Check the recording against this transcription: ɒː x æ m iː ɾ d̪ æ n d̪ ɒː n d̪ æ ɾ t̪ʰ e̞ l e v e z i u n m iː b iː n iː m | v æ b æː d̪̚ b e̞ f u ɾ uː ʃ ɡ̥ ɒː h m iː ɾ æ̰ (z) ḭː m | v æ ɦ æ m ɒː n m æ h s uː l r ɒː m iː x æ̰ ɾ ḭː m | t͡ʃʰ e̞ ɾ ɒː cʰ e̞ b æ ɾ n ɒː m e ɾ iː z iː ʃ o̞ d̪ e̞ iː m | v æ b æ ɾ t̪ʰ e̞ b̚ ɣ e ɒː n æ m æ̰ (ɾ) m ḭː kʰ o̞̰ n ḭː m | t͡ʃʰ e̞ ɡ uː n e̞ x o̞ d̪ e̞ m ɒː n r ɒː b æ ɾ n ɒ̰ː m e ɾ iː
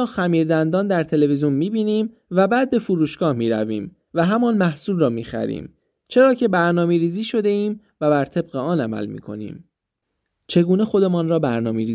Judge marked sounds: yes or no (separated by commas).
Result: no, no